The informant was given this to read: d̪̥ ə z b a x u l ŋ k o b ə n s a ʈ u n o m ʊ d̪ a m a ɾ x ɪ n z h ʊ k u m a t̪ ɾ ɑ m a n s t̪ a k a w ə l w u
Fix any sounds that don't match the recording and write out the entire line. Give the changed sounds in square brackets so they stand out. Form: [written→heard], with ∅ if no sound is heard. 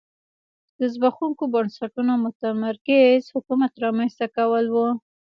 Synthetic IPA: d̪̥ ə z b a x u [l→∅] ŋ k o b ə n s a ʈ u n o m ʊ [d̪→t̪] a m a ɾ [x→k] ɪ [n→∅] z h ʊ k u m a t̪ ɾ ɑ m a n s t̪ a k a w ə l w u